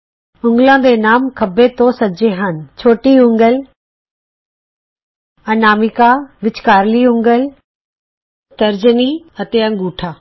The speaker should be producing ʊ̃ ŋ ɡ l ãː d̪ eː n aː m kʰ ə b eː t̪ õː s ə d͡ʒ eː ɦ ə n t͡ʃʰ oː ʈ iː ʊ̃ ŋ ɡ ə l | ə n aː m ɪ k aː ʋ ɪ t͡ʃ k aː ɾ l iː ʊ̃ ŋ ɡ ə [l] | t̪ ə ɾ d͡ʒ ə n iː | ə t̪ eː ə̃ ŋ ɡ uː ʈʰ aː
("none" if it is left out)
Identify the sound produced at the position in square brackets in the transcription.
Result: l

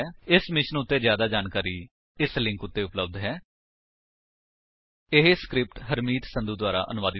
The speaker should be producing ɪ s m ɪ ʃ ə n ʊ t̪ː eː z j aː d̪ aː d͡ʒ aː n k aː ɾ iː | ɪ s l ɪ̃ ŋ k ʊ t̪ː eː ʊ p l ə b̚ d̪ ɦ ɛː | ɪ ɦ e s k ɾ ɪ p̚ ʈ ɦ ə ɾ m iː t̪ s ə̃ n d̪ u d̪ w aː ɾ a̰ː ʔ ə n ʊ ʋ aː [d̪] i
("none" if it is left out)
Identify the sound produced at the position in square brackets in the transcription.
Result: d̪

